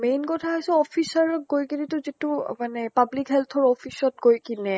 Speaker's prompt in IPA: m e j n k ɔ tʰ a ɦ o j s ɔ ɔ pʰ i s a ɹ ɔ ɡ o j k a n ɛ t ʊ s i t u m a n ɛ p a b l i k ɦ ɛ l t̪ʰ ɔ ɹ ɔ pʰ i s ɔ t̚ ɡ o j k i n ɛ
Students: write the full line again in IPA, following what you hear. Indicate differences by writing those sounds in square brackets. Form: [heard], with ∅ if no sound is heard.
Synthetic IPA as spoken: m e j n k ɔ tʰ a ɦ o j s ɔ ɔ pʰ i s a ɹ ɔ ɡ o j k [i] n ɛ t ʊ [z] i t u m a n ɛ p a b l i k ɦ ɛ l t̪ʰ ɔ ɹ ɔ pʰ i s ɔ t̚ ɡ o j k i n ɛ